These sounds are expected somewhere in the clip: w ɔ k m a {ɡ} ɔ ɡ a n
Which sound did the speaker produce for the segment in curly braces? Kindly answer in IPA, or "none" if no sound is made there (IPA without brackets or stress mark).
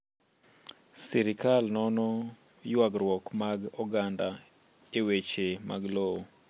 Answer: ɡ